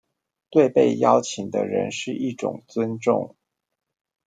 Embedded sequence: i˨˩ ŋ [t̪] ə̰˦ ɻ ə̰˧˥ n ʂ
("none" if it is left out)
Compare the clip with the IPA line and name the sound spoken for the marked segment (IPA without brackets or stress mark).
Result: d̪